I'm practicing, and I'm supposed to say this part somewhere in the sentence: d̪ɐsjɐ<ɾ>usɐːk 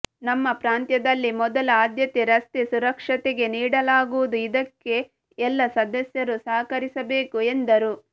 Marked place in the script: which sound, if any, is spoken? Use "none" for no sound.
ɾ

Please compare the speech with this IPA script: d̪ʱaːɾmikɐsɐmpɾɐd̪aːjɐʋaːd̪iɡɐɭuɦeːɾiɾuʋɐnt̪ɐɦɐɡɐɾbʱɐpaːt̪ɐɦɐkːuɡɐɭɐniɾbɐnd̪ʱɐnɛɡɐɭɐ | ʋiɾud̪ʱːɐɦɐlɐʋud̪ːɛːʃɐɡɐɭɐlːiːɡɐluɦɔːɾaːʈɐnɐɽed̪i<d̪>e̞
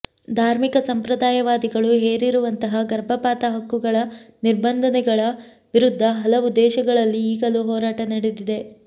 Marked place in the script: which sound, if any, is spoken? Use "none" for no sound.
d̪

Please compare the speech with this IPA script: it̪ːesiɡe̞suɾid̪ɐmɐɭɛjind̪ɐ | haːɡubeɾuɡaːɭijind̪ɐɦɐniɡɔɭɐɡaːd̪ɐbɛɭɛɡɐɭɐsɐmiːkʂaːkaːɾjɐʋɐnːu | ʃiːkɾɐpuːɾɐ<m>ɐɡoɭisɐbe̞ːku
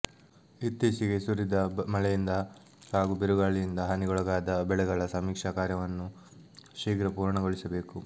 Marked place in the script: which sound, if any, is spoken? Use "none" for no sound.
ɳ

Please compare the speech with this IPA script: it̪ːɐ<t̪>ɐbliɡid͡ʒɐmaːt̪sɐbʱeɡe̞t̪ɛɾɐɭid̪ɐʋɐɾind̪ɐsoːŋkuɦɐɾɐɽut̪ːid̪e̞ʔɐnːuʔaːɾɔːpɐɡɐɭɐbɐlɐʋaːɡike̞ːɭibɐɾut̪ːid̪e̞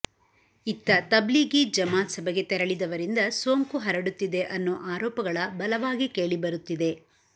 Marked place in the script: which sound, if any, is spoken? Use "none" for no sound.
t̪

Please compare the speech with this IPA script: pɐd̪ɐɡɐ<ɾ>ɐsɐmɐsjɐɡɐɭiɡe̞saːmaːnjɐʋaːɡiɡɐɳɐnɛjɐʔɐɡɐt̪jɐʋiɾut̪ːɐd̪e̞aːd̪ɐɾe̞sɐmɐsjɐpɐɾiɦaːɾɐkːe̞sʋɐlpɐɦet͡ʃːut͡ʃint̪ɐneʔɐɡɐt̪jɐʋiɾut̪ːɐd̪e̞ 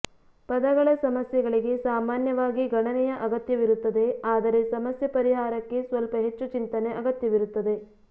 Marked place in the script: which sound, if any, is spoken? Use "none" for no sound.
ɭ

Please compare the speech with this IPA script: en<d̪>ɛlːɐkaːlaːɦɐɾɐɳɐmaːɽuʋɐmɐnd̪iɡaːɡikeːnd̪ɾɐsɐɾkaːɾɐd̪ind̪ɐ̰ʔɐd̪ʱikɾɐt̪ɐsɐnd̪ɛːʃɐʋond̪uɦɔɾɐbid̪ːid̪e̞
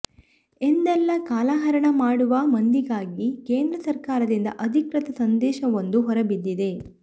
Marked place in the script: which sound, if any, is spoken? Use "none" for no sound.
d̪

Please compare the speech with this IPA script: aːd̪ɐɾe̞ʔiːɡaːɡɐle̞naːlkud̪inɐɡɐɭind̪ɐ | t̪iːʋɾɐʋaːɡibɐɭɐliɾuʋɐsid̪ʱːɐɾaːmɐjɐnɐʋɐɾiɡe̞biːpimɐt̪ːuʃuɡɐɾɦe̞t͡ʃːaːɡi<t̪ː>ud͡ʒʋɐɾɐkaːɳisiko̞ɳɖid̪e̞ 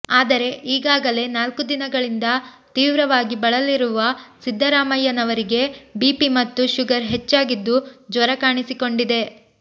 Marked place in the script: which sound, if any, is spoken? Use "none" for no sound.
d̪ː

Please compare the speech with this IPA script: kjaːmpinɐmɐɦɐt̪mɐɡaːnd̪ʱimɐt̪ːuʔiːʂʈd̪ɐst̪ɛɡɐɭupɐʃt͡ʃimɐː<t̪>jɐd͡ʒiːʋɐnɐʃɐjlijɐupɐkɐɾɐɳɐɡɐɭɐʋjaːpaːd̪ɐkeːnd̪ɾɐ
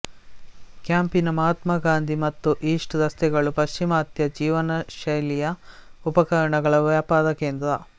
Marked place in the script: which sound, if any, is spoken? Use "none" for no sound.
t̪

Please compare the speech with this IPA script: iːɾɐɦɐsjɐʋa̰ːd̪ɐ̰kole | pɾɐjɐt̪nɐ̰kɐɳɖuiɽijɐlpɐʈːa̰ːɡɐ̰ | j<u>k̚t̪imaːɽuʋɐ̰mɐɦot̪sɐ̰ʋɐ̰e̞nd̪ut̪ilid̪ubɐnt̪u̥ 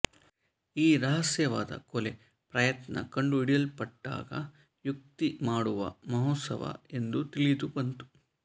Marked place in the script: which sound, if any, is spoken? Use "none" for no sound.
u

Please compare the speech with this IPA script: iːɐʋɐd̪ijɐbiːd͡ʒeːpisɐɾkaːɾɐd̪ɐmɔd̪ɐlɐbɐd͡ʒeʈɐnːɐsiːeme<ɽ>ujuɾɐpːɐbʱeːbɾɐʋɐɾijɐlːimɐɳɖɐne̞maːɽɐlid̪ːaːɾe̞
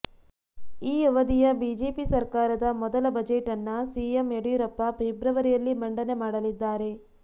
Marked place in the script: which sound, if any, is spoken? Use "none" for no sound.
ɽ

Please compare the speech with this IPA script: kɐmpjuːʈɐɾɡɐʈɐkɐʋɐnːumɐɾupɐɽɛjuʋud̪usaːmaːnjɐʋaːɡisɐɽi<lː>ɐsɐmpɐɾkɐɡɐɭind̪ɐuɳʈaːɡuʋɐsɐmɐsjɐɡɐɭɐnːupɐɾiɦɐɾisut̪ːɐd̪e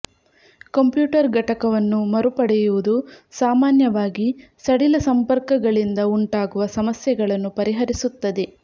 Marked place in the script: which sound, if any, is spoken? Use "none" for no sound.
l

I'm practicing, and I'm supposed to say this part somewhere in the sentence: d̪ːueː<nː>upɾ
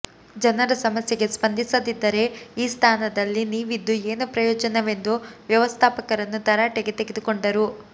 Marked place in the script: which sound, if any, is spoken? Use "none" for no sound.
n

